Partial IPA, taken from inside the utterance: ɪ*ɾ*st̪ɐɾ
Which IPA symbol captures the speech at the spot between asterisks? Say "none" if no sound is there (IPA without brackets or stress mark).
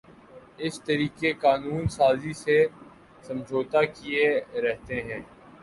none